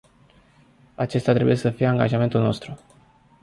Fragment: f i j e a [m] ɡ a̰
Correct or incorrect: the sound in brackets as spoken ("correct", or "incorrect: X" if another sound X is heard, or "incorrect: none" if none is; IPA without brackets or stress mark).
incorrect: ŋ